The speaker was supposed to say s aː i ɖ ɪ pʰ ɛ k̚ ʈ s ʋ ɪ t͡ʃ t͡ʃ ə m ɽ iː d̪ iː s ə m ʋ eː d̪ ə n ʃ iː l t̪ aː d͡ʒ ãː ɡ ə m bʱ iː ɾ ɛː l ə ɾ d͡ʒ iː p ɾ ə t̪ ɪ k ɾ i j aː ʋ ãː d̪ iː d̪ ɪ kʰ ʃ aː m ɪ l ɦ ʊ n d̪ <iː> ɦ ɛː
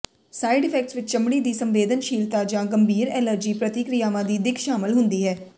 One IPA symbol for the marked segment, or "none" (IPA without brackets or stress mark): iː